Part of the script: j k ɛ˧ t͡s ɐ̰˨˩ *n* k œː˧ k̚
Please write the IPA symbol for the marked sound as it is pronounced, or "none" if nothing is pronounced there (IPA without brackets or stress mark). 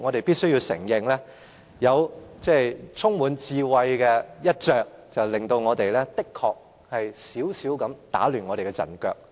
n